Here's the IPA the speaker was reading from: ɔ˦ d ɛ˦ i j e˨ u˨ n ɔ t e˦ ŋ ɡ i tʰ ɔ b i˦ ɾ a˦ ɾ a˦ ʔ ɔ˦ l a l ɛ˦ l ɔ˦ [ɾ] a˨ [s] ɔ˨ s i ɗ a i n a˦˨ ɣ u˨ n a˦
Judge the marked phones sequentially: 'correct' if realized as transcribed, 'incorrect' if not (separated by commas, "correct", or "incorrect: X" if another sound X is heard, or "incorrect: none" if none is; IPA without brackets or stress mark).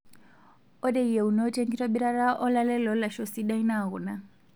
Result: incorrect: l, incorrect: ʃ